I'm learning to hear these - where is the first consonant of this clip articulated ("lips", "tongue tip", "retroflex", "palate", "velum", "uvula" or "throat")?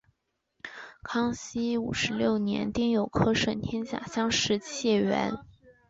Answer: velum